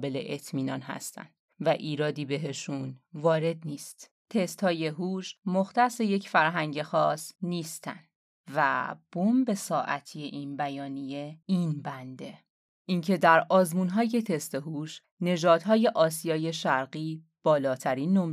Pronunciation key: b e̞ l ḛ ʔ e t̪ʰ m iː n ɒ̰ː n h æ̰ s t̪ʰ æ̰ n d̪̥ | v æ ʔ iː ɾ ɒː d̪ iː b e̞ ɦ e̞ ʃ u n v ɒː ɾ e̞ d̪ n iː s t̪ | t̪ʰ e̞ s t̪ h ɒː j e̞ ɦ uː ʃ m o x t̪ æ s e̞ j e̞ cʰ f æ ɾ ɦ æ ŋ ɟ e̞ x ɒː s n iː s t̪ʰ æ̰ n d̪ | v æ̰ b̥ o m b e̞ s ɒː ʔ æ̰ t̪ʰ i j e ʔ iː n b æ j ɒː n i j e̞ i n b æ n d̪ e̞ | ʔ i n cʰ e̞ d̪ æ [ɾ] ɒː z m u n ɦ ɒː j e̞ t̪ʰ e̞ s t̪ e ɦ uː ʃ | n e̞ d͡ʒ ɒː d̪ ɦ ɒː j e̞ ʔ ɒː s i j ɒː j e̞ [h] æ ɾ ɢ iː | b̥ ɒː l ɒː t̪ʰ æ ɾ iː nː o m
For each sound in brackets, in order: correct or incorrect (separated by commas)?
correct, incorrect